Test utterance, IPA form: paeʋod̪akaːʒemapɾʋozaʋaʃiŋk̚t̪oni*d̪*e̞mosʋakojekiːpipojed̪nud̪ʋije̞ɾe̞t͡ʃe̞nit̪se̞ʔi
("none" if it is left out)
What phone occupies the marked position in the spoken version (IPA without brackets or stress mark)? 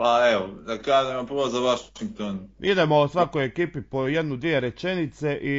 d̪